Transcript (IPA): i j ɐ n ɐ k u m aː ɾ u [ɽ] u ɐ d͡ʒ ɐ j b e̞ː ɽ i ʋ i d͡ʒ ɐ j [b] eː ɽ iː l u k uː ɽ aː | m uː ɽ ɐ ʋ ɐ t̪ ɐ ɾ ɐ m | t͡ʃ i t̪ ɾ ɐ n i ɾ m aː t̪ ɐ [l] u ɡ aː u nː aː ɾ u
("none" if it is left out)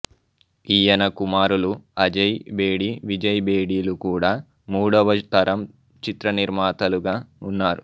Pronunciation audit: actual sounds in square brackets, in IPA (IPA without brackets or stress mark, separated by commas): l, b, l